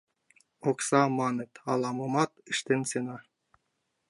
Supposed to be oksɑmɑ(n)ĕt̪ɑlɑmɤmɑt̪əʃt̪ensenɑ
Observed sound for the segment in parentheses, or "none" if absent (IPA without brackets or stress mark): n